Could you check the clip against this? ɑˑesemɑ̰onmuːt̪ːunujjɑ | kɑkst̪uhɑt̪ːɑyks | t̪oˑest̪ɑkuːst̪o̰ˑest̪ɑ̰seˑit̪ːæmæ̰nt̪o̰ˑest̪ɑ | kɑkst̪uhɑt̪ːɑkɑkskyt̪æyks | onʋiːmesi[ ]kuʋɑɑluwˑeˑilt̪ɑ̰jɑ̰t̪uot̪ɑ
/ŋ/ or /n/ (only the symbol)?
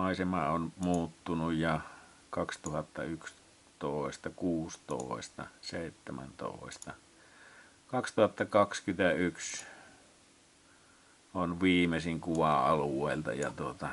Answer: ŋ